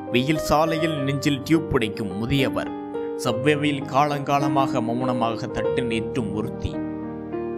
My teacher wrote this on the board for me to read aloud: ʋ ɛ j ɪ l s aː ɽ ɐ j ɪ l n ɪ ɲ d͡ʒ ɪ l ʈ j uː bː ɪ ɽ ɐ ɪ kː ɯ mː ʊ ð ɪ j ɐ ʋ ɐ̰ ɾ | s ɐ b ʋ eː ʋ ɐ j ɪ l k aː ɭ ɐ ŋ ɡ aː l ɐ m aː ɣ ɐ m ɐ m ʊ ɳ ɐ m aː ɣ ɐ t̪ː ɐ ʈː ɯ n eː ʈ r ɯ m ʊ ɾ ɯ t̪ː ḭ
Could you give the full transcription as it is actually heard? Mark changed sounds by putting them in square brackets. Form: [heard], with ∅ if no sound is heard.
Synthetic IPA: ʋ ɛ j ɪ l s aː [l] ɐ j ɪ l n ɪ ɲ d͡ʒ ɪ l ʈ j uː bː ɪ ɽ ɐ ɪ kː ɯ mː ʊ ð ɪ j ɐ ʋ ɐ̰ ɾ | s ɐ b ʋ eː ʋ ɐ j ɪ l k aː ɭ ɐ ŋ ɡ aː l ɐ m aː ɣ ɐ m ɐ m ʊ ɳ ɐ m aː ɣ ɐ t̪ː ɐ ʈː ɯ n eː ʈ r ɯ m ʊ ɾ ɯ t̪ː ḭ